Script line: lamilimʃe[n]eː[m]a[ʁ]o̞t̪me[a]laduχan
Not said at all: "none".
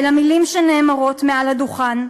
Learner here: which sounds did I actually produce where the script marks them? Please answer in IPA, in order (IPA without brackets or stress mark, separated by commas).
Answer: n, m, ʁ, a